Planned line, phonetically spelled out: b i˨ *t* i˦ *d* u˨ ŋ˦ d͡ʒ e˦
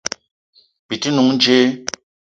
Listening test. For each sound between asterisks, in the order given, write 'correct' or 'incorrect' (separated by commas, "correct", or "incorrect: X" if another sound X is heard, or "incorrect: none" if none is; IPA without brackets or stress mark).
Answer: correct, incorrect: n